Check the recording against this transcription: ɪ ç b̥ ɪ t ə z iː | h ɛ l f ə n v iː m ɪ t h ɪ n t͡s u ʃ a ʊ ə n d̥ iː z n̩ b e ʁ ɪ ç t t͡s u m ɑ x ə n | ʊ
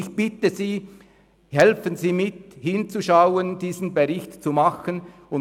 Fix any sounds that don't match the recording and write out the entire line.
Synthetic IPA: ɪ ç b̥ ɪ t ə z iː | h ɛ l f ə n z iː m ɪ t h ɪ n t͡s u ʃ a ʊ ə n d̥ iː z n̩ b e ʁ ɪ ç t t͡s u m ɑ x ə n | ʊ